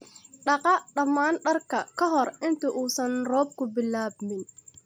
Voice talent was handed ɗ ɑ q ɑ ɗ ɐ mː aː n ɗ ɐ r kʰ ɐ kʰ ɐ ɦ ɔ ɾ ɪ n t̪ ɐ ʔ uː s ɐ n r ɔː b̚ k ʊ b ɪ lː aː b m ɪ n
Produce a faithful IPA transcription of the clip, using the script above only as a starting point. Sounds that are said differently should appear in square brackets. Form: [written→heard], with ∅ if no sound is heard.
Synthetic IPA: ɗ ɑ q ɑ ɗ ɐ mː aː n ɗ ɐ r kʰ ɐ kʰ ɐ ɦ ɔ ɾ ɪ n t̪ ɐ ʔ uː s ɐ n r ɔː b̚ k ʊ b ɪ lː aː b m ɪ n